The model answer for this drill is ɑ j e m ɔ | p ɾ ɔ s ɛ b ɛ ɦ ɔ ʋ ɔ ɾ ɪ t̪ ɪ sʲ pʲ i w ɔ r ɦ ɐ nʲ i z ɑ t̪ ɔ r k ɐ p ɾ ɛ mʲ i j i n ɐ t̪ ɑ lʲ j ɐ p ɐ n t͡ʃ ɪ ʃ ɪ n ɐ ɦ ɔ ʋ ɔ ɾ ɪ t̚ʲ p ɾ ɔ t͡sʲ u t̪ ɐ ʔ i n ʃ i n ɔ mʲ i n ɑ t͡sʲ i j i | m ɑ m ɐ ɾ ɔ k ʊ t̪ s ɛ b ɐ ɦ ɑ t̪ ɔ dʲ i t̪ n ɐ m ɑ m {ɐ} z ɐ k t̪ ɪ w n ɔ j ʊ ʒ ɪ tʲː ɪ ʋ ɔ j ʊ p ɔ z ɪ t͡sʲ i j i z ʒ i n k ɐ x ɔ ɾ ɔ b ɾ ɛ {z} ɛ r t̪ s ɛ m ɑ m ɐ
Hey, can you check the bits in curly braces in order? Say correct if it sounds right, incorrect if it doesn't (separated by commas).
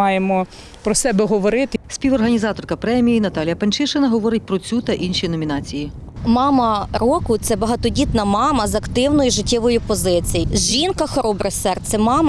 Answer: correct, incorrect